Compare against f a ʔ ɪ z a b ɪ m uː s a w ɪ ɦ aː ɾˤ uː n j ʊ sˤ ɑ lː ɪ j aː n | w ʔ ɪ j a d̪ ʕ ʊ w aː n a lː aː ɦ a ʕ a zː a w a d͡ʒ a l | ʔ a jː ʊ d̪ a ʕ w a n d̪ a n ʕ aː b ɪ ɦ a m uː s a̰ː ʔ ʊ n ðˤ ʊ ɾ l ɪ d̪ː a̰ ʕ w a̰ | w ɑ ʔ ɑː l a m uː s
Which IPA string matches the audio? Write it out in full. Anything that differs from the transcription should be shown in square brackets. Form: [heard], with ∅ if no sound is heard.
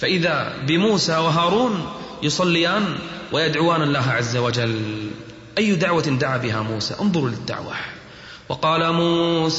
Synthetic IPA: f a ʔ ɪ [ð] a b ɪ m uː s a w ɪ ɦ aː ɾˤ uː n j ʊ sˤ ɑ lː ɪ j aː n | w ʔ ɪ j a d̪ ʕ ʊ w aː n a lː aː ɦ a ʕ a zː a w a d͡ʒ a l | ʔ a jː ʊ d̪ a ʕ w a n d̪ a [∅] ʕ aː b ɪ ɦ a m uː s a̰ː ʔ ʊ n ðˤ ʊ ɾ l ɪ d̪ː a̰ ʕ w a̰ | w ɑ [q] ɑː l a m uː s